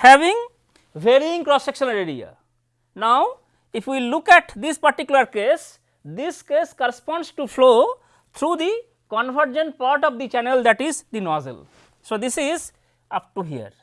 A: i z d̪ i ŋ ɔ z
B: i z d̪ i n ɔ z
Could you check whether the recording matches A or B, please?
B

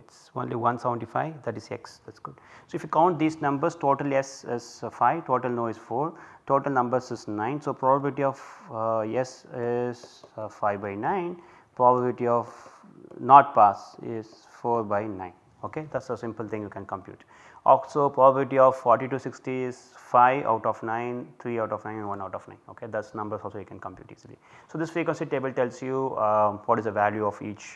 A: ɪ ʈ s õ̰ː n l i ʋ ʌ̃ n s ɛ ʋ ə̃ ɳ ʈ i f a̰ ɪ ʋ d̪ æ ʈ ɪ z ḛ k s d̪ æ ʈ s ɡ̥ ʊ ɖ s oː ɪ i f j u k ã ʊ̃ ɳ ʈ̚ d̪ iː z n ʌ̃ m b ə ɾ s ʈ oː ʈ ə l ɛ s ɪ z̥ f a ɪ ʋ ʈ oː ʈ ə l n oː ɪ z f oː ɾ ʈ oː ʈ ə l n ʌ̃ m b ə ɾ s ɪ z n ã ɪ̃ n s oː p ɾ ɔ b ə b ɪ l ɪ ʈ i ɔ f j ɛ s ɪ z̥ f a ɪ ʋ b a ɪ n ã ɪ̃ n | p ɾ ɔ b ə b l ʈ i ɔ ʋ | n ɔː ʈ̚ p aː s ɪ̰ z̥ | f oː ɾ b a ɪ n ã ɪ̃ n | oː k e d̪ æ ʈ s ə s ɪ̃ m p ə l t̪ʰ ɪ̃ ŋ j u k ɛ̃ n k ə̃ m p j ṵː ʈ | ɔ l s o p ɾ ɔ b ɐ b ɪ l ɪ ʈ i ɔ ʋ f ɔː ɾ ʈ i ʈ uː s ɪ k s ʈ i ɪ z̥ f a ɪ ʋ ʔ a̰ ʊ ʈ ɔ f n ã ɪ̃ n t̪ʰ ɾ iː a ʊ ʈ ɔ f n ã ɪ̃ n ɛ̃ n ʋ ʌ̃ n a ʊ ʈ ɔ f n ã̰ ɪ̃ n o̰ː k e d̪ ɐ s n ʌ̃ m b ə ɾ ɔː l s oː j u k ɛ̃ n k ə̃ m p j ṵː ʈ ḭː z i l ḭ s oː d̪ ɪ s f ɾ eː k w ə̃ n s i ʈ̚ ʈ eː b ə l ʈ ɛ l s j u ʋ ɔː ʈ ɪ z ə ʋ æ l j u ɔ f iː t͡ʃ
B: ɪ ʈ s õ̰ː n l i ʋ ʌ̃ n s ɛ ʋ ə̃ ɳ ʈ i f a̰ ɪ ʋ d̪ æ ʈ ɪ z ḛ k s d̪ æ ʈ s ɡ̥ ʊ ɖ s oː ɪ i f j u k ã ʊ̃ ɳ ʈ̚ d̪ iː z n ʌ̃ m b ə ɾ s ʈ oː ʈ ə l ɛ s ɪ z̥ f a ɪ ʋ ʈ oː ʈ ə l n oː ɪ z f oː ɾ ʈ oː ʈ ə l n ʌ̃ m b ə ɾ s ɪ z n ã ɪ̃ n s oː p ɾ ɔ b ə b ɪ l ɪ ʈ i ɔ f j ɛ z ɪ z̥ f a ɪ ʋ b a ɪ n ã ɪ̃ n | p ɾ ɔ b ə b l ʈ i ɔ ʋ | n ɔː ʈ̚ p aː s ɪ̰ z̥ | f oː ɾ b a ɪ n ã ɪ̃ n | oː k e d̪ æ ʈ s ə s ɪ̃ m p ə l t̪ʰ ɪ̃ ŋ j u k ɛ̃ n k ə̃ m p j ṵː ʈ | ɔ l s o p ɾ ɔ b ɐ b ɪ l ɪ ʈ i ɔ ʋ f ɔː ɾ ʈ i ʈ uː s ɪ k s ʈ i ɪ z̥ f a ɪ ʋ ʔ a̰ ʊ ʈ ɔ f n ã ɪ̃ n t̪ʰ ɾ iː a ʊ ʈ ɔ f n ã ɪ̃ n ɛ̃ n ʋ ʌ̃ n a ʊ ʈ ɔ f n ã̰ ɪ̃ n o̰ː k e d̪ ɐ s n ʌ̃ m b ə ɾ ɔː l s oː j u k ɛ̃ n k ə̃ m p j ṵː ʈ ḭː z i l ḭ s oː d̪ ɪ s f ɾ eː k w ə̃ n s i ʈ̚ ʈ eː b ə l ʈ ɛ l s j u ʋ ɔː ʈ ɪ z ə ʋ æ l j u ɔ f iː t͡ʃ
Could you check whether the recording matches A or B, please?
A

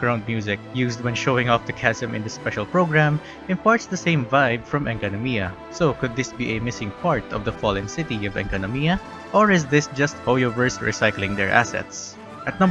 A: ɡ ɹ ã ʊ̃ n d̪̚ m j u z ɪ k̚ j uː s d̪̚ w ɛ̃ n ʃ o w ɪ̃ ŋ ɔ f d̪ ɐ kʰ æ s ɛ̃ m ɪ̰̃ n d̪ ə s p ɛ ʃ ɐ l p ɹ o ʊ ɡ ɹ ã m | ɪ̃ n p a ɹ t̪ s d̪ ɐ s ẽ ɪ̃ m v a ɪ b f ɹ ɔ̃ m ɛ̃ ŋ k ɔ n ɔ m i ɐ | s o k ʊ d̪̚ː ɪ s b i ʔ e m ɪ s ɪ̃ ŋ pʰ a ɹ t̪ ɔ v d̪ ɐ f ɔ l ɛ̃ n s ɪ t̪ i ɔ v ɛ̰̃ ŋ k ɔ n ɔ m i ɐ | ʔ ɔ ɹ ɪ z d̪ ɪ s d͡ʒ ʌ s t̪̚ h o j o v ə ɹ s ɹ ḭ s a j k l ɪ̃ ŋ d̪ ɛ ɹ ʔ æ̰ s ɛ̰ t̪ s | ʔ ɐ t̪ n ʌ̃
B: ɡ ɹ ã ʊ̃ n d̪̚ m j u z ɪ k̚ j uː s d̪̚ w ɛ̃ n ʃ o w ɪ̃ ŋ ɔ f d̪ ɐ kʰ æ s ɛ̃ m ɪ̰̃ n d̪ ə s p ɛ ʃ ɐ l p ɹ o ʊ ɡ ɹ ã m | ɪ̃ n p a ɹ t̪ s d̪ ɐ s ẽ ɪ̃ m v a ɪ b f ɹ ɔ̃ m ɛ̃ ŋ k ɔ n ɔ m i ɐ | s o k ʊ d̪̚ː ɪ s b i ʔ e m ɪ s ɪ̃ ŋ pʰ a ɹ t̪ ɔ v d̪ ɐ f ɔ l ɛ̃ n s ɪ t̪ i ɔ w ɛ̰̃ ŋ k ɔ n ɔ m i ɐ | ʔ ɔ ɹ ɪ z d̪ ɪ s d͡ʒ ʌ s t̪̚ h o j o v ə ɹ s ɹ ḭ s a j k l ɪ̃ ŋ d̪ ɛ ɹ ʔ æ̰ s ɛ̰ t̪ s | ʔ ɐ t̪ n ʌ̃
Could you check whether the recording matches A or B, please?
A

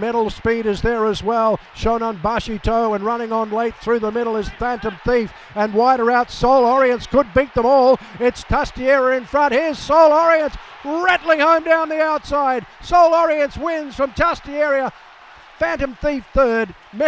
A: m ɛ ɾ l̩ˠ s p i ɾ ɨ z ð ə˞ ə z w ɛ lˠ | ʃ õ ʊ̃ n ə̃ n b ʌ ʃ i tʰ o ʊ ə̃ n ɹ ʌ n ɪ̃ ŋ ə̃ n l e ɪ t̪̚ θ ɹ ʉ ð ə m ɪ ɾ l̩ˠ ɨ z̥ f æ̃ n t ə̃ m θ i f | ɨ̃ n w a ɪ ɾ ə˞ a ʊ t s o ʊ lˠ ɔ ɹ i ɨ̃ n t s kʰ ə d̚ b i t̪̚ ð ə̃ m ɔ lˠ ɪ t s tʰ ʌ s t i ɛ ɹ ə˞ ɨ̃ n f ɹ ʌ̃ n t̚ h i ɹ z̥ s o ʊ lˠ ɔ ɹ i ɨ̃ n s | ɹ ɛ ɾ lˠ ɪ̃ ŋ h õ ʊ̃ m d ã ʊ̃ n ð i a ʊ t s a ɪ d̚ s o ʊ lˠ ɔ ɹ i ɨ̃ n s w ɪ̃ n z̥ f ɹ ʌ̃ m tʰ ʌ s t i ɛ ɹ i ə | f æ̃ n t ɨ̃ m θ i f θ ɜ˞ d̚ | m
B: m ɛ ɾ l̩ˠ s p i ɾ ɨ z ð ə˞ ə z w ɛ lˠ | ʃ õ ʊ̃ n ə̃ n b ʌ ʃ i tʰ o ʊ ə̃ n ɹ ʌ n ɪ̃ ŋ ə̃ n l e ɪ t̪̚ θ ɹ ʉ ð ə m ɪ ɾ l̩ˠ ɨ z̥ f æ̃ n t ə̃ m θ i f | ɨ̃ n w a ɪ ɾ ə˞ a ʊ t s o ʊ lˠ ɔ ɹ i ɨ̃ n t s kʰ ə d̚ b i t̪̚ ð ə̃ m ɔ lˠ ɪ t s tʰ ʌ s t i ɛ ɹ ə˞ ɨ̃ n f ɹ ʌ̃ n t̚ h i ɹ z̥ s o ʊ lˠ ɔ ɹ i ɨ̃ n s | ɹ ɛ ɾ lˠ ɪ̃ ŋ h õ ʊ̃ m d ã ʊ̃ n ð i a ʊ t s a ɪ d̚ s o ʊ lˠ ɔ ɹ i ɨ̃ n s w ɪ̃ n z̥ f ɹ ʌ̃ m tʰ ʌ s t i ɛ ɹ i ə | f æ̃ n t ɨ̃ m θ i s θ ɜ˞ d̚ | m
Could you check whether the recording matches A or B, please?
A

